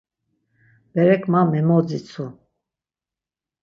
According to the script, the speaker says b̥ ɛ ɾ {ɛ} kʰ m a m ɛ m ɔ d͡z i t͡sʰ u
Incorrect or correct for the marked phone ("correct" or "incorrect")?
correct